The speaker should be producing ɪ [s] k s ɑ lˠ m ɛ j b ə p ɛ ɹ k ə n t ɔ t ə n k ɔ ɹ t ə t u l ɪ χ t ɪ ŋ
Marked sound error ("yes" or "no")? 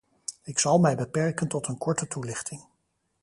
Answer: yes